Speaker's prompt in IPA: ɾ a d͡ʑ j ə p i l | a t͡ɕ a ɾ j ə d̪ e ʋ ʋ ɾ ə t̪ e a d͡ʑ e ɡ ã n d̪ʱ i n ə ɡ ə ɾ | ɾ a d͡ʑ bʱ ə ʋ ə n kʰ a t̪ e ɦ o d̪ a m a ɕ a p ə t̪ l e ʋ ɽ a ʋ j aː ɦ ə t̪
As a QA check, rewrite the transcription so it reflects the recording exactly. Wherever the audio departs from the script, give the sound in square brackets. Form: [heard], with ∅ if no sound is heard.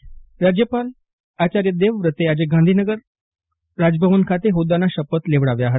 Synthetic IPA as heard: ɾ a d͡ʑ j ə p [a] l | a t͡ɕ a ɾ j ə d̪ e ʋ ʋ ɾ ə t̪ e a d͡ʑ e ɡ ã n d̪ʱ i n ə ɡ ə ɾ | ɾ a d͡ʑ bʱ ə ʋ ə n kʰ a t̪ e ɦ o d̪ a [n] a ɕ [ə] p ə t̪ l e ʋ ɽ a ʋ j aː ɦ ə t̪